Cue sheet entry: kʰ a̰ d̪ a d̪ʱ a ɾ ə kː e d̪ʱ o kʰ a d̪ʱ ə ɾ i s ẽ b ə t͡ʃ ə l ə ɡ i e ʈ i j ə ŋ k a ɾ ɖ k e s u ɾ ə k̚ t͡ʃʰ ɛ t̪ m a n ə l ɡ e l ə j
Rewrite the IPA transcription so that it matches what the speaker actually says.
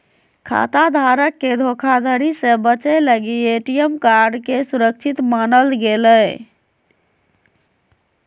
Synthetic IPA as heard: kʰ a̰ t̪ a d̪ʱ a ɾ ə kː e d̪ʱ o kʰ a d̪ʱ ə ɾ i s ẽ b ə t͡ʃ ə l ə ɡ i e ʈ i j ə m k a ɾ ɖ k e s u ɾ ə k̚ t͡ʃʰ i t̪ m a n ə l ɡ e l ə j